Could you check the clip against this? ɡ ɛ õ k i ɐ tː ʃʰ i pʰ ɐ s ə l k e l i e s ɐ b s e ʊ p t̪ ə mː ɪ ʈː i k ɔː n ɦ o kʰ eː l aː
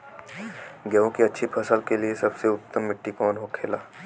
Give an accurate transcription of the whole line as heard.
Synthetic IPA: ɡ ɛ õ k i ɐ tː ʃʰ i pʰ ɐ s ə l k e l i e s ɐ b s e ʊ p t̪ ə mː ɪ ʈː i k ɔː n ɦ o kʰ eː l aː